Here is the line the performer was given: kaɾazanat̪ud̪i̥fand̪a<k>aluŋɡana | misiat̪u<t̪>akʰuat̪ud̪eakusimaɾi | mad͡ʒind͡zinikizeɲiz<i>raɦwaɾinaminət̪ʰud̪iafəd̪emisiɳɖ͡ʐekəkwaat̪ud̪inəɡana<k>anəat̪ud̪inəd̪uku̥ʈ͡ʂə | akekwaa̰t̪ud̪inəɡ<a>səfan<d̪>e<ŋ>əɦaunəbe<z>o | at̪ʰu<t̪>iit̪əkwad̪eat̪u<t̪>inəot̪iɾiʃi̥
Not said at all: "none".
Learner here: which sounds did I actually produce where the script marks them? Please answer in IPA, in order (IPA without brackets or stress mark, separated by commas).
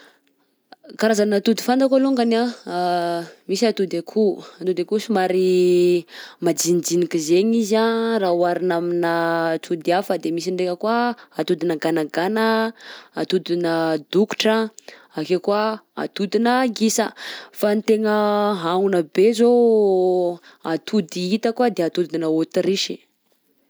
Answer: k, d̪, a, ɡ, i, t̪, ŋ, z, d̪, d̪